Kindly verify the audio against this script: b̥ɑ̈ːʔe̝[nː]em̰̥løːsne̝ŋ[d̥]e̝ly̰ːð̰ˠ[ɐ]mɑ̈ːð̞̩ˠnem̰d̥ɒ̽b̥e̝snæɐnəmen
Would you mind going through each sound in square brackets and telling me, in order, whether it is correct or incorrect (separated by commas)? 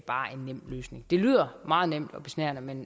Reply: correct, correct, correct